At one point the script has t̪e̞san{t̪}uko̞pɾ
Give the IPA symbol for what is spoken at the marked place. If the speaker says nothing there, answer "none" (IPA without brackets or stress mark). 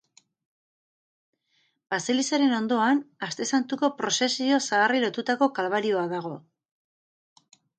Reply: t̪